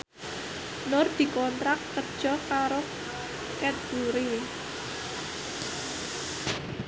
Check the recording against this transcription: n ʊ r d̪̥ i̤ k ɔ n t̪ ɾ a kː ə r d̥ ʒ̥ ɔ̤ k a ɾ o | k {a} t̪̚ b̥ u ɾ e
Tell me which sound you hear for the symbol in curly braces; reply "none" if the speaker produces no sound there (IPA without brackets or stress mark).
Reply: ɛ